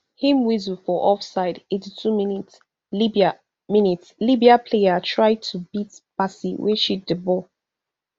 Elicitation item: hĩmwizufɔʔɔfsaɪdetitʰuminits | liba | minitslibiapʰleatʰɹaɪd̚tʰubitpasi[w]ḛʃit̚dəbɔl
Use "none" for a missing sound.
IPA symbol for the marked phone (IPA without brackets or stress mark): w